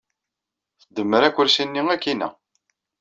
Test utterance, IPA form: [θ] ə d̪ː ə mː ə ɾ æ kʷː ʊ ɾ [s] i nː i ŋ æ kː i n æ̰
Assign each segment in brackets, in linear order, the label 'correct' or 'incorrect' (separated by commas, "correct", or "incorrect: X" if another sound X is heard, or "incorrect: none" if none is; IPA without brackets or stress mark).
correct, correct